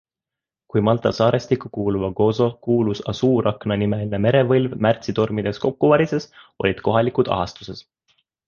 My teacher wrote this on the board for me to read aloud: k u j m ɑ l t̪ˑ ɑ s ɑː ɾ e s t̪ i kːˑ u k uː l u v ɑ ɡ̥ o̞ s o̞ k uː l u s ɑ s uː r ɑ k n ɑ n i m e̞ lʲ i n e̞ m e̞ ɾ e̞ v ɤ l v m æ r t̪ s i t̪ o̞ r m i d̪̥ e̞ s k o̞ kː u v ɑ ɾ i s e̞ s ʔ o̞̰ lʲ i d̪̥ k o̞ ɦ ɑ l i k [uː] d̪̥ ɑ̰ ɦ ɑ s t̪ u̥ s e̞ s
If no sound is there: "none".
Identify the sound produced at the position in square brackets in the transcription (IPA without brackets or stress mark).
u